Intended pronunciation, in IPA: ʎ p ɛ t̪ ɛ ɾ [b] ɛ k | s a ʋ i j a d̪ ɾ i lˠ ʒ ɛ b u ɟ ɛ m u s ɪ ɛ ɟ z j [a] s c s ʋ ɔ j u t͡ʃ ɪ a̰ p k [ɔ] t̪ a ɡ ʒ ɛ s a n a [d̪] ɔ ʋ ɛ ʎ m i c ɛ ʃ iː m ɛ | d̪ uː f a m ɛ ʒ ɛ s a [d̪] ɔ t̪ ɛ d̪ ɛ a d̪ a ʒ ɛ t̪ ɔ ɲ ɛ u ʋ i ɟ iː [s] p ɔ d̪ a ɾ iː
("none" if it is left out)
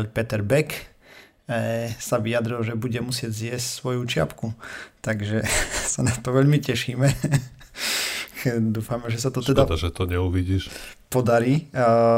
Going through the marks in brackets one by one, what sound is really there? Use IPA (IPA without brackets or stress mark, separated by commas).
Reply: b, ɛ, u, t̪, t̪, ʃ